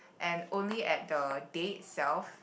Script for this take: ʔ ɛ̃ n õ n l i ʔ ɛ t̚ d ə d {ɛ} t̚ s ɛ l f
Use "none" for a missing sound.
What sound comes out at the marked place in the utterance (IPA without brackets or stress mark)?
e